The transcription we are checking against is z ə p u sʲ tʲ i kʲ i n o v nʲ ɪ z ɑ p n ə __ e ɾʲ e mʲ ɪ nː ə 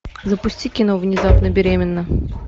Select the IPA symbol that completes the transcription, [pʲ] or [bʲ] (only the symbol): bʲ